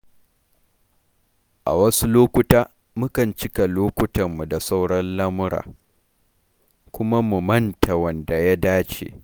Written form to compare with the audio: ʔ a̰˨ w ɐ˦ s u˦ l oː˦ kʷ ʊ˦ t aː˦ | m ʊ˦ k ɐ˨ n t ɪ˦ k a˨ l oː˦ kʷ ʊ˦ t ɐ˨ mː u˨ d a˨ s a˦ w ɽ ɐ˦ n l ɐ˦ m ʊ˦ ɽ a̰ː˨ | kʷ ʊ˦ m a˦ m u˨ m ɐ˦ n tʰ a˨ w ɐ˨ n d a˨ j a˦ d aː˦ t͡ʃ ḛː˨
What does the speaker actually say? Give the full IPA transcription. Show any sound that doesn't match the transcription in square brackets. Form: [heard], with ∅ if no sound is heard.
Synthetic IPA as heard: ʔ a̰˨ w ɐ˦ s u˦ l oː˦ kʷ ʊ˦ t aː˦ | m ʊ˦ k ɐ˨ n [t͡ʃ] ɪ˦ k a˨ l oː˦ kʷ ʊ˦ t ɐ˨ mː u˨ d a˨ s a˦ w ɽ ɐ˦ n l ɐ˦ m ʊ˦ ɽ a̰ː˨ | kʷ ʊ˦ m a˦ m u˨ m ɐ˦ n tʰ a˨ w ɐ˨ n d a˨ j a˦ d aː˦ t͡ʃ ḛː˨